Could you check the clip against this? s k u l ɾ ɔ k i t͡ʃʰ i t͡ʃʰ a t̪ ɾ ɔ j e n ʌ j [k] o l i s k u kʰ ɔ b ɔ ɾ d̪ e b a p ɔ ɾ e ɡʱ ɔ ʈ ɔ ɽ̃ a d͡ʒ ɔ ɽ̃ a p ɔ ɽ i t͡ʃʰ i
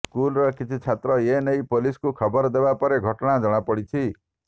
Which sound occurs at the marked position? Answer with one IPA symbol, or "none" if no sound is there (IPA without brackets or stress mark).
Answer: p